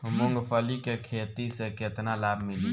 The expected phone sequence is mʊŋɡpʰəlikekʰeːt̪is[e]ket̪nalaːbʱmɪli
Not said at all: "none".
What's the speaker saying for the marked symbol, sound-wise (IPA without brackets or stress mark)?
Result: e